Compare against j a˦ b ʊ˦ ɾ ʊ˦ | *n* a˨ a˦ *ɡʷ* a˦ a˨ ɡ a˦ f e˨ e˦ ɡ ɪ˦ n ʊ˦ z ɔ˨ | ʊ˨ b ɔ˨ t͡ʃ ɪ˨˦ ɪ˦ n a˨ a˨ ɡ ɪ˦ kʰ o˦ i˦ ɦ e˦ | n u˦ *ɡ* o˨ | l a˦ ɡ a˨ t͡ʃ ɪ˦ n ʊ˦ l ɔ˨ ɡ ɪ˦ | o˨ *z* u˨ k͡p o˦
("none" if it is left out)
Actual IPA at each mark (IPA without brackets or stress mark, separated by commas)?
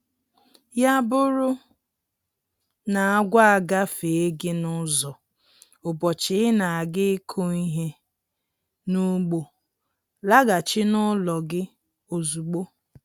n, ɡʷ, ɡ͡b, z